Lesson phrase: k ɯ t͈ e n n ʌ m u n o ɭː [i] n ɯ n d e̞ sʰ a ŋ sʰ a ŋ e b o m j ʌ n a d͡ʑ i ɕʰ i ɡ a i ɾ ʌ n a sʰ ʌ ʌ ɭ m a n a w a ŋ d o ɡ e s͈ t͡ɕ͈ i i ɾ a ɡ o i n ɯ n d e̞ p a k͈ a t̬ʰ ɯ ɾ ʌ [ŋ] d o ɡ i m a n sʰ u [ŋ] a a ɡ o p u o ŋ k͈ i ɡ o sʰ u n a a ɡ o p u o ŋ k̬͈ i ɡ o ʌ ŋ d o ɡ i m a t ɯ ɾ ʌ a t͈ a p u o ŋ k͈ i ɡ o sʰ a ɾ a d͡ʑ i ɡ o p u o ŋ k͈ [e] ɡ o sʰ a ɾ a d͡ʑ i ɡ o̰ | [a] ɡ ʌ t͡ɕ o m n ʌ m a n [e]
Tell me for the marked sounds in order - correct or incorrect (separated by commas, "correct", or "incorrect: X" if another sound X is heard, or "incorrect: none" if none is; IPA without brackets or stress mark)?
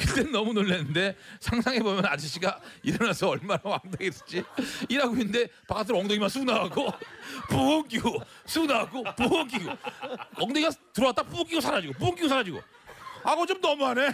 incorrect: e, correct, incorrect: n, incorrect: i, correct, correct